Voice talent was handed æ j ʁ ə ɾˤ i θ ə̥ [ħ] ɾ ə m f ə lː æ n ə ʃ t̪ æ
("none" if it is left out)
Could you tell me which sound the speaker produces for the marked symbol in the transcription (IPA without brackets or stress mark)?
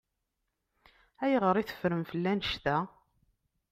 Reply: f